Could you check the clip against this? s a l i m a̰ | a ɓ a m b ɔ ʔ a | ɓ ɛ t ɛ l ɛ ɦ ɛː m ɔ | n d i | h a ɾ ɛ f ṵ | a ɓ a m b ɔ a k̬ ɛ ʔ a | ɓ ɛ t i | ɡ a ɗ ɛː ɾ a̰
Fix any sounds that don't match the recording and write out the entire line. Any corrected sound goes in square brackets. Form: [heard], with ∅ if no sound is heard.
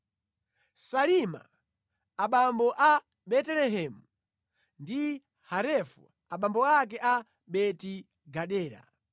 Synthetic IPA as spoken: s a l i m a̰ | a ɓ a m b ɔ ʔ a | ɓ ɛ t ɛ l ɛ ɦ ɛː m [u] | n d i | h a ɾ ɛ f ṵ | a ɓ a m b ɔ a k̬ ɛ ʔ a | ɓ ɛ t i | ɡ a ɗ ɛː ɾ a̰